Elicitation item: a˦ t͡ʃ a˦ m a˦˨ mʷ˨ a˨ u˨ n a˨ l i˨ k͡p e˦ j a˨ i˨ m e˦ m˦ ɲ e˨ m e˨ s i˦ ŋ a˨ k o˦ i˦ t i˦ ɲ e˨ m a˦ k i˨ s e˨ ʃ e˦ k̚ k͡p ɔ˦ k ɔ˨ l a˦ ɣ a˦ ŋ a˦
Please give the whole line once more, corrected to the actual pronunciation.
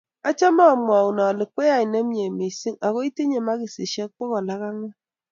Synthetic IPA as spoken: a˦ t͡ʃ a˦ m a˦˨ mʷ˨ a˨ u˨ n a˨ l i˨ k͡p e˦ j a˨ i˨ n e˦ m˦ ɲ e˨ m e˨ s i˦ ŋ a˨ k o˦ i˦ t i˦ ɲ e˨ m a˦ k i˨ s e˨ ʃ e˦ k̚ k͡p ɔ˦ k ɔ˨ l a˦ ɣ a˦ ŋ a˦